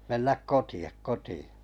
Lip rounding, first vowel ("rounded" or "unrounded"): unrounded